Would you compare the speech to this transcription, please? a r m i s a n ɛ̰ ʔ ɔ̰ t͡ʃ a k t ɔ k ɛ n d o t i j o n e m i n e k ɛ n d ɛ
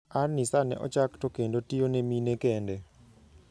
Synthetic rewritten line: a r n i s a n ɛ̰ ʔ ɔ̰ t͡ʃ a k t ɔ k e n d o t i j o n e m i n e k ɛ n d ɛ